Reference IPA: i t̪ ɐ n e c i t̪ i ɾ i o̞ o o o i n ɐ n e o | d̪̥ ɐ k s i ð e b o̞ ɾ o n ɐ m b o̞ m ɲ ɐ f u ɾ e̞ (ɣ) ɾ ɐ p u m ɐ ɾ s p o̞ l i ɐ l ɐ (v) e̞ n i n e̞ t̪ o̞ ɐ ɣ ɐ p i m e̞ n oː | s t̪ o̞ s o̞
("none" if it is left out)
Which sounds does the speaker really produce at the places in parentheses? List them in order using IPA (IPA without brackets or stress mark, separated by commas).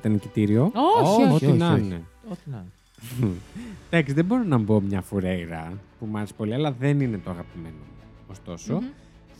ɣ, ð